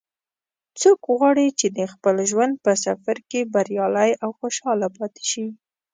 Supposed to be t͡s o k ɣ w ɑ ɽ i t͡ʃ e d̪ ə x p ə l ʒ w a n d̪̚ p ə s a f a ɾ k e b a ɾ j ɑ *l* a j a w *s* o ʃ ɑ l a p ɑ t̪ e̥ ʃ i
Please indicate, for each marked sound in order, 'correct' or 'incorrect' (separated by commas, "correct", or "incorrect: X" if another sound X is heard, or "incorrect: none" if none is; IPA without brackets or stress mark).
correct, incorrect: x